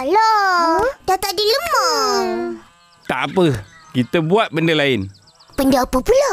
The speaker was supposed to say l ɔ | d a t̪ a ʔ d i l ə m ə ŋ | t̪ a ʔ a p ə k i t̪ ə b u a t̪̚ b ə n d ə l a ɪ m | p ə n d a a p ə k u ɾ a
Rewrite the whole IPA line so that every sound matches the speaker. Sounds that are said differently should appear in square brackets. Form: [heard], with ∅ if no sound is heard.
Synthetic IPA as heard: l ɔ | d a t̪ a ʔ d i l ə m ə ŋ | t̪ a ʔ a p ə k i t̪ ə b u a t̪̚ b ə n d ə l a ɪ [n] | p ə n d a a p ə [p] u [l] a